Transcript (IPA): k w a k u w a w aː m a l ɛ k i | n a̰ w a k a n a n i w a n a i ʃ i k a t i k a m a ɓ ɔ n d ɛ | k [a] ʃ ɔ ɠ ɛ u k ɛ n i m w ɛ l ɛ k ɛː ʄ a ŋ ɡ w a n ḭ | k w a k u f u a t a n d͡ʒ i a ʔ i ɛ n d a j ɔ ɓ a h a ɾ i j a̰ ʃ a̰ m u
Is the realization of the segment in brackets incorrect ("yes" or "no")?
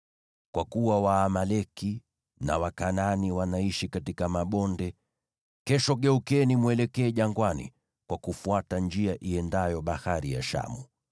yes